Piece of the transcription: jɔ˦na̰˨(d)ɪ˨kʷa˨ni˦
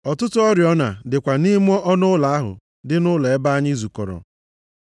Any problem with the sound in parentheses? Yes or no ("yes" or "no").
no